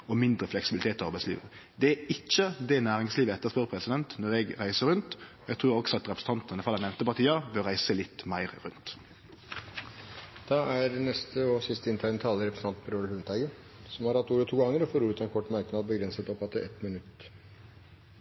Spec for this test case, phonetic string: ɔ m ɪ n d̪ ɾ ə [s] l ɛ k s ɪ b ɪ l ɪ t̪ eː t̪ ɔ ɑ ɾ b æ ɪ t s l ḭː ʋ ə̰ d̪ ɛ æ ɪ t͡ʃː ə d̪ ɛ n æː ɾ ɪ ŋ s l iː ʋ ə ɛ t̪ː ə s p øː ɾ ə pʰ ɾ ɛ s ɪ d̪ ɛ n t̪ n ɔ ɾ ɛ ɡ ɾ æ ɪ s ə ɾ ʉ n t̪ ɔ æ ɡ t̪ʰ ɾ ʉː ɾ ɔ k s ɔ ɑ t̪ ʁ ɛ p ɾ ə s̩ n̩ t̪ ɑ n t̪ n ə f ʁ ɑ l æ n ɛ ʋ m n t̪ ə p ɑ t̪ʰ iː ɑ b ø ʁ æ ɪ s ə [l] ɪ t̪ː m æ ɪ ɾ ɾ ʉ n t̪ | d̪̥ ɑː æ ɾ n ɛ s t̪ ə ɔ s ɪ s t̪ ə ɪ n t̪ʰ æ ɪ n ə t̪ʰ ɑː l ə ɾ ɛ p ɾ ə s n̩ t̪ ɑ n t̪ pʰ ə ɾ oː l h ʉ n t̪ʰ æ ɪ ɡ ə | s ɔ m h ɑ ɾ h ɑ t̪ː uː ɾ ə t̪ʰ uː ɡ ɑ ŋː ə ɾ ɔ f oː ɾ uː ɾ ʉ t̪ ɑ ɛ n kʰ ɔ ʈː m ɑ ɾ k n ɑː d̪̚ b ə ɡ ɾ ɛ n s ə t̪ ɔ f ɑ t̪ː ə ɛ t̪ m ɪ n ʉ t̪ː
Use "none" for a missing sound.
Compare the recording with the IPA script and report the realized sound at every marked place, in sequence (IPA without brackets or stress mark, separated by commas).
f, l